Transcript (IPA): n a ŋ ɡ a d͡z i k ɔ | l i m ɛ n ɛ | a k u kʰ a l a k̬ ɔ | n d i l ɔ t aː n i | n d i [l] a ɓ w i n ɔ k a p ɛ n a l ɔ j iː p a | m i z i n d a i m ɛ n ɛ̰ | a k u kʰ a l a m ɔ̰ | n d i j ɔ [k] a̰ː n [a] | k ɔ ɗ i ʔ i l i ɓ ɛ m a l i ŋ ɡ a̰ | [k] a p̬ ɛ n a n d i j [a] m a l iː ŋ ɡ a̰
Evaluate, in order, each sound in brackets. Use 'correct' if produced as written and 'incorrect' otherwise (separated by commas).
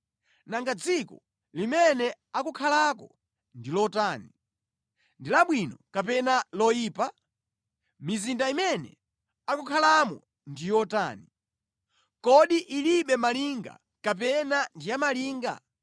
correct, incorrect, incorrect, correct, correct